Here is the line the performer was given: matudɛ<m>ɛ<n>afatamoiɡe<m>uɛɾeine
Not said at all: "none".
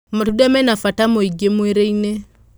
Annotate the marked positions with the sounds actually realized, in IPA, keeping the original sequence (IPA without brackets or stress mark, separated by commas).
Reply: m, n, m